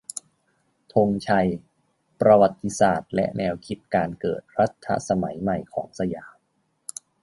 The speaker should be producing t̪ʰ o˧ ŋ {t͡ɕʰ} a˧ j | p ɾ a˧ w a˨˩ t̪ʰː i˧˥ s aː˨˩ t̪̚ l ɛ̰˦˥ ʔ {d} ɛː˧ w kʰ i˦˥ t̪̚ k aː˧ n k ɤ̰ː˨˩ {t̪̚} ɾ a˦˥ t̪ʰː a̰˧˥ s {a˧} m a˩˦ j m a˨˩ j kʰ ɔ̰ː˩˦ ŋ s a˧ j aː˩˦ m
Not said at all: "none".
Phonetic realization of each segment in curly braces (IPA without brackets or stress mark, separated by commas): t͡ɕʰ, n, t̪̚, a˧